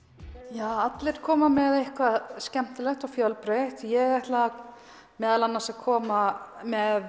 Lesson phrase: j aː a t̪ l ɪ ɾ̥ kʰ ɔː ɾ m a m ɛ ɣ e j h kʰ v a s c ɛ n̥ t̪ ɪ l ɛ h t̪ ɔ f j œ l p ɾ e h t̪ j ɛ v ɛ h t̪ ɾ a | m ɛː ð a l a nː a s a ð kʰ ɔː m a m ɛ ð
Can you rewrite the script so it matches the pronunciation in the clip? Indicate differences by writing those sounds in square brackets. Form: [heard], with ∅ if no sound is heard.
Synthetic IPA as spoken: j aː a t̪ l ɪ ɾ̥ kʰ ɔː [∅] m a m ɛ [ð] e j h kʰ v a s c ɛ [m̥] t̪ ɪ l ɛ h t̪ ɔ f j œ l p ɾ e h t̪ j ɛ [ɣ] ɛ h t̪ [l] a | m ɛː ð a l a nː a s a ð kʰ ɔː m a m ɛ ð